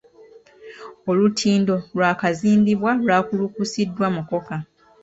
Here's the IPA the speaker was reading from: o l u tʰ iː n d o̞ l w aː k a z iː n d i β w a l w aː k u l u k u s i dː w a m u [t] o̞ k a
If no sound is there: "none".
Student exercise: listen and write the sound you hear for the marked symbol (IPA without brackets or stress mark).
k